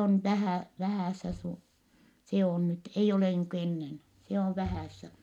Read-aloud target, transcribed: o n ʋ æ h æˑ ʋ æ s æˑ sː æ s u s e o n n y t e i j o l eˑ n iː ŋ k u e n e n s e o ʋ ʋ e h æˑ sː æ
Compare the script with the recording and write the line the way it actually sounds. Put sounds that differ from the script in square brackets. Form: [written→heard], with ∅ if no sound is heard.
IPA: o n ʋ æ h æˑ ʋ æ [s→h] æˑ sː æ s u s e o n n y t e i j o l eˑ n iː ŋ k u e [n→nː] e n s e o ʋ ʋ [e→æ] h æˑ sː æ